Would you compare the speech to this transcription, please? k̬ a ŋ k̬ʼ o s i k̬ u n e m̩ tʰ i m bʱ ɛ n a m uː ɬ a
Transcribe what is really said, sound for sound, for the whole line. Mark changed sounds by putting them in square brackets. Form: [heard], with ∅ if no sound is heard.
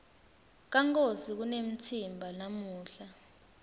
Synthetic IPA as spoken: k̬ a ŋ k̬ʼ o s i k̬ u n e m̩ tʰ i m bʱ [a] n a m uː ɬ a

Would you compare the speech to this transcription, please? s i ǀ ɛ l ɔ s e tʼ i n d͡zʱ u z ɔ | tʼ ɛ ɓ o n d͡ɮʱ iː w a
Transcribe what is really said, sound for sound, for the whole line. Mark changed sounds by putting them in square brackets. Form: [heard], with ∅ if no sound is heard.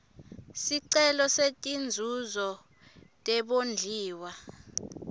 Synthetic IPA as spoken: s i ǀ ɛ l ɔ s e tʼ i n d͡zʱ u z ɔ | tʼ ɛ ɓ o n d͡ɮʱ iː w a

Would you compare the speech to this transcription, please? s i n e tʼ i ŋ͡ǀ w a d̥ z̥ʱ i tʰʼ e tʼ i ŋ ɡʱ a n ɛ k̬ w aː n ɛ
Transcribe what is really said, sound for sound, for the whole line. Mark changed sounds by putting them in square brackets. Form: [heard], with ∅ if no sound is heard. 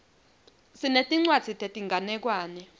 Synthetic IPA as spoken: s i n e tʼ i ŋ͡ǀ w a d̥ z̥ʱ i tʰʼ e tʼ i ŋ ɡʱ a n ɛ k̬ w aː n ɛ

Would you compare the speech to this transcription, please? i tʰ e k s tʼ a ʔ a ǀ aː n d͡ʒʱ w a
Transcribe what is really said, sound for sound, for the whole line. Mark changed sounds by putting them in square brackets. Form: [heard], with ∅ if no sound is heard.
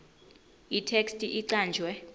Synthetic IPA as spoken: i tʰ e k s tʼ [i] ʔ [i] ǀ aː n d͡ʒʱ w [ɛ]

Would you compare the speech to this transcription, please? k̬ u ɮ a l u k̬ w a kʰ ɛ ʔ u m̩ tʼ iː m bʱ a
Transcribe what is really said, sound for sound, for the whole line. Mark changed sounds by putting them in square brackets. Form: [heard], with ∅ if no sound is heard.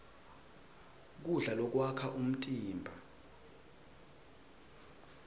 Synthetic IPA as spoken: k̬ u ɮ a l [ɔ] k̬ w a kʰ [a] ʔ u m̩ tʼ iː m bʱ a

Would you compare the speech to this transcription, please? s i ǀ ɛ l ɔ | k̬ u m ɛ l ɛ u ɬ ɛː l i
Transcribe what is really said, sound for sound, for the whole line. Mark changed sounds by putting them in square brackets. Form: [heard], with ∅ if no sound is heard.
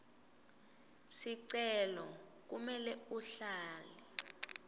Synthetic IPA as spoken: s i ǀ ɛ l ɔ | k̬ u m ɛ l ɛ u ɬ [aː] l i

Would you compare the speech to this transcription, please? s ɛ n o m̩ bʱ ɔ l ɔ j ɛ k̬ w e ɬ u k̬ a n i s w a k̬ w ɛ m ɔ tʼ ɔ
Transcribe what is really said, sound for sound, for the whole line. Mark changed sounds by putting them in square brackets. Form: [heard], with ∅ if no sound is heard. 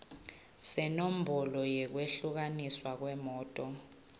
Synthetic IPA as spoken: s ɛ n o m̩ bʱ ɔ l ɔ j ɛ k̬ w e ɬ u k̬ a n i s w a k̬ w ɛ m [ɔː] tʼ ɔ

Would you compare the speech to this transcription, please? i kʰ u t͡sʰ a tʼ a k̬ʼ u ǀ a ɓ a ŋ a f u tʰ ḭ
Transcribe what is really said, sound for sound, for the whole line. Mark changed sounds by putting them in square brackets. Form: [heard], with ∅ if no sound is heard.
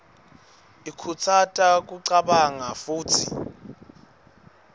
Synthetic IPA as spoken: i kʰ u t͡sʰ a tʼ a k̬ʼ u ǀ a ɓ a ŋ a f [uː] tʰ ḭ

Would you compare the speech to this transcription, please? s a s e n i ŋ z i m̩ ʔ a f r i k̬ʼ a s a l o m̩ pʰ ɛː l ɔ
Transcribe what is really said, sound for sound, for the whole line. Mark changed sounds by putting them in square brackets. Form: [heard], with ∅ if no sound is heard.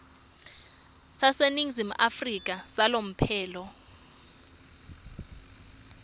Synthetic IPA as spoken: s a s e n i ŋ z i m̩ ʔ a f r i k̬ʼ a s a l o m̩ pʰ ɛː l ɔ

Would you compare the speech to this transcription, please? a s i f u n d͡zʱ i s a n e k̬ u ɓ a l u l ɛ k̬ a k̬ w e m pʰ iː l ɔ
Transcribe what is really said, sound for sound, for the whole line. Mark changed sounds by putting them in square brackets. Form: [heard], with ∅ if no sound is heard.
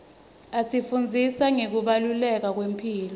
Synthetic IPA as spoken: a s i f u n d͡zʱ i s a [ŋ] e k̬ u ɓ a l u l ɛ k̬ a k̬ w e m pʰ iː l ɔ

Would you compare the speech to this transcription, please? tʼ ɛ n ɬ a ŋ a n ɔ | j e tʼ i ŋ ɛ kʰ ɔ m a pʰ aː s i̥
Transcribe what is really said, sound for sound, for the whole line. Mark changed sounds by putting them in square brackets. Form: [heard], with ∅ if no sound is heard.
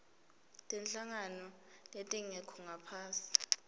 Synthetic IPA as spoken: tʼ ɛ n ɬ a ŋ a n ɔ | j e tʼ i ŋ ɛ kʰ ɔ [ŋ] a pʰ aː s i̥

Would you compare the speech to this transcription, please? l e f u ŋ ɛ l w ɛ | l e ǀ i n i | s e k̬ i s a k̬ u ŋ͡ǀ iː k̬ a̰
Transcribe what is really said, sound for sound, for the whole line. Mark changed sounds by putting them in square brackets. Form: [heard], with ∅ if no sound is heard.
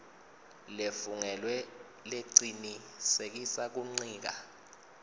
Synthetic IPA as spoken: l e f u ŋ ɛ l w ɛ | l e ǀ i n i | s e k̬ i s a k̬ u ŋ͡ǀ iː k̬ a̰

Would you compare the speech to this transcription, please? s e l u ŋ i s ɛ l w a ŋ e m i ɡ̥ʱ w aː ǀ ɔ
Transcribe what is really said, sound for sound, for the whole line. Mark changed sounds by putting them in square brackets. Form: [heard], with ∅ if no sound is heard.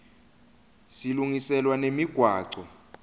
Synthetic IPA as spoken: s [i] l u ŋ i s ɛ l w a [n] e m i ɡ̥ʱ w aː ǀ ɔ

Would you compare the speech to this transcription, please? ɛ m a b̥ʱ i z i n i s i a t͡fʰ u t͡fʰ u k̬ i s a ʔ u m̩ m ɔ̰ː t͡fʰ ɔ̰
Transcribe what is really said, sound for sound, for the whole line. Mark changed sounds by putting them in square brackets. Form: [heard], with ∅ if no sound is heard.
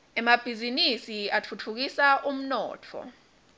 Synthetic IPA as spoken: ɛ m a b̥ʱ i z i n i s i a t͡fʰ u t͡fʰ u k̬ i s a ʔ u m̩ [n] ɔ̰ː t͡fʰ ɔ̰

